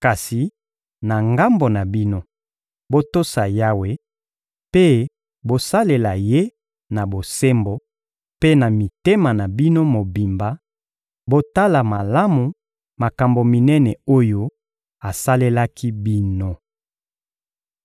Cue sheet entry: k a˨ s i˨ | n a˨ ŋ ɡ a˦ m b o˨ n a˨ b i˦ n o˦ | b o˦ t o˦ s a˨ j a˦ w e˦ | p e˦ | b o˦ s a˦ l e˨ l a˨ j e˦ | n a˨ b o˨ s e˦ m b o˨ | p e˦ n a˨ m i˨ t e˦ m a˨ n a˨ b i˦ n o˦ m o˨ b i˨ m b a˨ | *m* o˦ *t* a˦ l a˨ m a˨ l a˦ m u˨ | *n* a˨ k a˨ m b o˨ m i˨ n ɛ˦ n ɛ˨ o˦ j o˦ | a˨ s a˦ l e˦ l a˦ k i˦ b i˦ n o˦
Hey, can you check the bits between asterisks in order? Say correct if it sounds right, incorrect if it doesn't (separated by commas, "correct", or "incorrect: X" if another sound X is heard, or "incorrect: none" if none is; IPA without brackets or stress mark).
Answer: incorrect: b, correct, incorrect: m